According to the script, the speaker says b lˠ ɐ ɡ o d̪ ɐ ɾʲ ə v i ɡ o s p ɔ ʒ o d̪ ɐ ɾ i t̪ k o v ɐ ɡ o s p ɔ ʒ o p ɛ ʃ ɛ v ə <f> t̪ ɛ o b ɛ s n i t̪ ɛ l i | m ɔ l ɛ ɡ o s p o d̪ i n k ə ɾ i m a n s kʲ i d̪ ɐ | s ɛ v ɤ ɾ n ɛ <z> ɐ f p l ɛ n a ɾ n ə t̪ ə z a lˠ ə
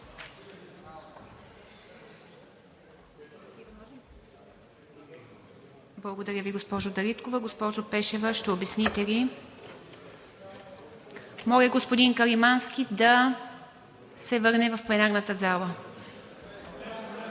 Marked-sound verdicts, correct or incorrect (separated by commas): incorrect, incorrect